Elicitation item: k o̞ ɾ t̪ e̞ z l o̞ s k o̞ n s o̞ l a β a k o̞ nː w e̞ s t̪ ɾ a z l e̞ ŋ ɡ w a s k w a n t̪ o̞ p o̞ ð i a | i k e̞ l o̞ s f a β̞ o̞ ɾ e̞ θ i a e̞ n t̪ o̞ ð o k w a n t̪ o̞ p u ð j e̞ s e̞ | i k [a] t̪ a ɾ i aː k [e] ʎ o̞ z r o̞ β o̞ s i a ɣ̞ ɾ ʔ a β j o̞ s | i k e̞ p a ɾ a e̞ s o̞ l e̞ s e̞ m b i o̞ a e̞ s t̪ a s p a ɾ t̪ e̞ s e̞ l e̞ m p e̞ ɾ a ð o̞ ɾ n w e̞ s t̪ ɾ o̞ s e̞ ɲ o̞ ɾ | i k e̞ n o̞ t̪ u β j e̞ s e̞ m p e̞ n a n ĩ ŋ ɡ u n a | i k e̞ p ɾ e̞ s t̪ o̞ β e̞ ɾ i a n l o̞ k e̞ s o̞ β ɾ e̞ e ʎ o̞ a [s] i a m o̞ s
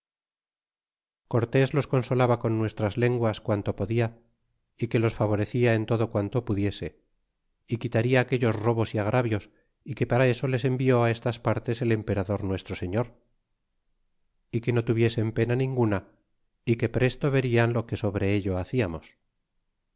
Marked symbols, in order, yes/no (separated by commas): no, yes, no